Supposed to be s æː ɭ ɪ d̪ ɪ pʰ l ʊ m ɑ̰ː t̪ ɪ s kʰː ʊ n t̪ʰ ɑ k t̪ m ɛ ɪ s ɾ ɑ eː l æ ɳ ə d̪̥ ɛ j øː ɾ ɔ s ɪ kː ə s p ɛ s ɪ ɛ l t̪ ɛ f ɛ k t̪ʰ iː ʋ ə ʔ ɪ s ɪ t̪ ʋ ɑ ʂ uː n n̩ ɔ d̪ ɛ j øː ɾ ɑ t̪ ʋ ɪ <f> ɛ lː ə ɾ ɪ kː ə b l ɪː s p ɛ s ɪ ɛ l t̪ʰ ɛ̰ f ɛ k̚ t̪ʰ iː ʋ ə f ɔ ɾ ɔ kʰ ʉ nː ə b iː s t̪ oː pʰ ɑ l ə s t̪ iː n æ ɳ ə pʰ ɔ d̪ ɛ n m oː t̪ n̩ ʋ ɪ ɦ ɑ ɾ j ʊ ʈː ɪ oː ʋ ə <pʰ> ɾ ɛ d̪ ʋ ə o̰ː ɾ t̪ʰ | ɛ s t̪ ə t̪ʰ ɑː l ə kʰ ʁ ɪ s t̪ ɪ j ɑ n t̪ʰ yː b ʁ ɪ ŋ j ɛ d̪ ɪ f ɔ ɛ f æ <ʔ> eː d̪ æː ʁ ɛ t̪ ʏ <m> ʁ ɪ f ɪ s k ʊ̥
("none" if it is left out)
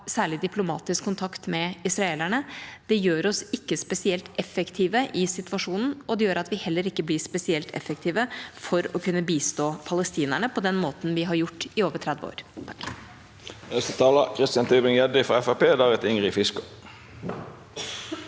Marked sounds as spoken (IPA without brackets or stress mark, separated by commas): h, ʈʰ, p, ŋ